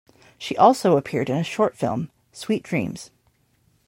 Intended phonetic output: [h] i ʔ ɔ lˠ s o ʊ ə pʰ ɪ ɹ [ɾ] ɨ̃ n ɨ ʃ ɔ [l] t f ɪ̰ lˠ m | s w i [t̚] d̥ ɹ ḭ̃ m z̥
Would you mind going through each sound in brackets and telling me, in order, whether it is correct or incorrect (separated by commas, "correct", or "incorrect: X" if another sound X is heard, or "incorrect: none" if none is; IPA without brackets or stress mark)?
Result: incorrect: ʃ, correct, incorrect: ɹ, correct